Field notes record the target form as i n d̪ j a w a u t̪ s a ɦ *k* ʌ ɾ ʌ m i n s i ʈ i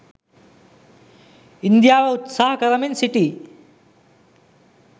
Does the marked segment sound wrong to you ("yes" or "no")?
no